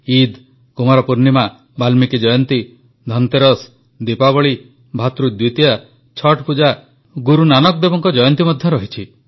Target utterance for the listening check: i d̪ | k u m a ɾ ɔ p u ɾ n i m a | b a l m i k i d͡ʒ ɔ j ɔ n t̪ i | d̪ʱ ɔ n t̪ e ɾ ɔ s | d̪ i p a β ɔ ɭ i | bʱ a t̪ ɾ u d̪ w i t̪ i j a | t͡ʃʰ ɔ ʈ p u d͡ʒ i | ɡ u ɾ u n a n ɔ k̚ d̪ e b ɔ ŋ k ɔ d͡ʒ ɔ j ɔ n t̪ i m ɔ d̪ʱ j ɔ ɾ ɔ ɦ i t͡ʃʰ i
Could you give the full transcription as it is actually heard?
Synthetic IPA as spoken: i d̪ | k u m a ɾ ɔ p u ɾ n i m a | b a l m i k i d͡ʒ ɔ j ɔ n t̪ i | d̪ʱ ɔ n t̪ e ɾ ɔ s | d̪ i p a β ɔ ɭ i | bʱ a t̪ ɾ u d̪ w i t̪ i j a | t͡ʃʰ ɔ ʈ p u d͡ʒ a | ɡ u ɾ u n a n ɔ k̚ d̪ e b ɔ ŋ k ɔ d͡ʒ ɔ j ɔ n t̪ i m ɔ d̪ʱ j ɔ ɾ ɔ ɦ i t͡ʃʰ i

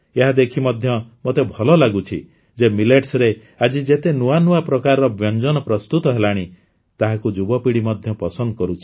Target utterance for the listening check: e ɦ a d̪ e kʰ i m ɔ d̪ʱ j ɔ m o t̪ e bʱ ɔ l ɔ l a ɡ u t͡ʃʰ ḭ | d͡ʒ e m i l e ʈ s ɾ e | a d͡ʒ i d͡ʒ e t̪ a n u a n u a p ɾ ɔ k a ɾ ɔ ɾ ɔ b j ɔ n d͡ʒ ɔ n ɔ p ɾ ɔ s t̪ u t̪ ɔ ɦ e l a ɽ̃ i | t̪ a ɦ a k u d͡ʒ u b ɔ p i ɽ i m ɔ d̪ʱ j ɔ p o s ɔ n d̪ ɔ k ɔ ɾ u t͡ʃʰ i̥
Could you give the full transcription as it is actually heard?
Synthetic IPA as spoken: e ɦ a d̪ e kʰ i m ɔ d̪ʱ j ɔ m o t̪ e bʱ ɔ l ɔ l a ɡ u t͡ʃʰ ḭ | d͡ʒ e m i l e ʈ s ɾ e | a d͡ʒ i d͡ʒ e t̪ e n u a n u a p ɾ ɔ k a ɾ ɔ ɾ ɔ b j ɔ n d͡ʒ ɔ n ɔ p ɾ ɔ s t̪ u t̪ ɔ ɦ e l a ɽ̃ i | t̪ a ɦ a k u d͡ʒ u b ɔ p i ɽ i m ɔ d̪ʱ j ɔ p ɔ s ɔ n d̪ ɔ k ɔ ɾ u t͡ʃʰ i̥

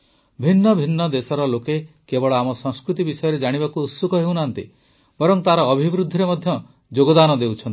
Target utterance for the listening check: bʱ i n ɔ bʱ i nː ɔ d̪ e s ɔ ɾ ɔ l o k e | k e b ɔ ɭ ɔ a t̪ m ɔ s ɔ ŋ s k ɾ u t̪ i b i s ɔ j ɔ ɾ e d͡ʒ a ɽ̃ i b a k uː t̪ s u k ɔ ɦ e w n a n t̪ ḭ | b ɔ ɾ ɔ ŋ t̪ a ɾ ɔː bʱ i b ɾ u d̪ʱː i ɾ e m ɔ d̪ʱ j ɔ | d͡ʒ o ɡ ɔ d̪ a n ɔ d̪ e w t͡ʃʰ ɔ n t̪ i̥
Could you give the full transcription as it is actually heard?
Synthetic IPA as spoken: bʱ i nː ɔ bʱ i nː ɔ d̪ e s ɔ ɾ ɔ l o k e | k e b ɔ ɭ ɔ a m ɔ s ɔ ŋ s k ɾ u t̪ i b i s ɔ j ɔ ɾ e d͡ʒ a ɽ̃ i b a k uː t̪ s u k ɔ ɦ e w n a n t̪ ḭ | b ɔ ɾ ɔ ŋ t̪ a ɾ ɔː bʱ i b ɾ u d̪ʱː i ɾ e m ɔ d̪ʱ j ɔ | d͡ʒ o ɡ ɔ d̪ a n ɔ d̪ e w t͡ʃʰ ɔ n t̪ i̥

